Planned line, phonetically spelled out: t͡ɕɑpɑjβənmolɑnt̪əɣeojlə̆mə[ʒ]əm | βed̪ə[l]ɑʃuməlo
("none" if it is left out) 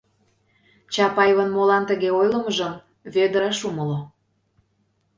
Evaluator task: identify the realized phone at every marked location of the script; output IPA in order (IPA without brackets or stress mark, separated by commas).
ʒ, ɾ